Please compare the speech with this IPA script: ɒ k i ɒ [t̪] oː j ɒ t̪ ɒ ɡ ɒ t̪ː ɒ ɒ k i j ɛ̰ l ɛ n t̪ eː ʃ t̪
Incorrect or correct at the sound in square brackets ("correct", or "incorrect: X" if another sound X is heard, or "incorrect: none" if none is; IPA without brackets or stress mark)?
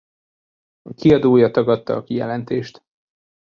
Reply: incorrect: d̪